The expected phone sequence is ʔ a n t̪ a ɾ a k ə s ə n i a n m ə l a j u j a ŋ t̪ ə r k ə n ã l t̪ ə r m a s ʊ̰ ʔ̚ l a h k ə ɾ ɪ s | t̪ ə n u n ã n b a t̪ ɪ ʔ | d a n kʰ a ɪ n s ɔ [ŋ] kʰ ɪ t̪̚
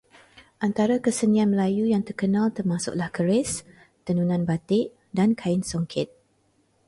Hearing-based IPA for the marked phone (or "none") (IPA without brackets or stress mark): ŋ